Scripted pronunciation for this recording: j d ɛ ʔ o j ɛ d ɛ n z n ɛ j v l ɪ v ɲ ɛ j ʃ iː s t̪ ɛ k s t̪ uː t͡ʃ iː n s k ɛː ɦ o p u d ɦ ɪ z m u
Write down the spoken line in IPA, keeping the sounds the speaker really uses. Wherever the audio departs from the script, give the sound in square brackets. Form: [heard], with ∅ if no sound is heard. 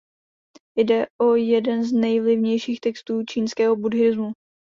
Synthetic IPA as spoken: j d ɛ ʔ o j ɛ d ɛ n z n ɛ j v l ɪ v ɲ ɛ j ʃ iː [x] t̪ ɛ k s t̪ uː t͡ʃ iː n s k ɛː ɦ o [b] u d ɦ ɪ z m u